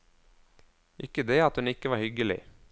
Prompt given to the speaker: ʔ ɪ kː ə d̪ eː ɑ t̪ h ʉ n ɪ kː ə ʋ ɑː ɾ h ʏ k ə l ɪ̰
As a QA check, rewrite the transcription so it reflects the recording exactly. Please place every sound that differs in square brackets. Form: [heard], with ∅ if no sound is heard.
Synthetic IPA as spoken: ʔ ɪ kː ə d̪ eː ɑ t̪ h ʉ n ɪ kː ə ʋ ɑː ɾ h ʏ [ɡ] ə l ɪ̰